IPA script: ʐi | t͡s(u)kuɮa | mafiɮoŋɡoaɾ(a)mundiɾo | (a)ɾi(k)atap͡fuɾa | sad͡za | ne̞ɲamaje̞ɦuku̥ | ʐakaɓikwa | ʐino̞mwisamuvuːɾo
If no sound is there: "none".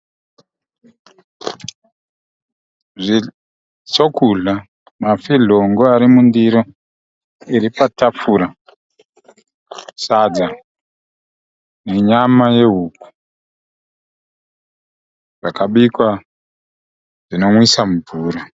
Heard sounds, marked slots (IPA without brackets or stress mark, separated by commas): o, i, i, p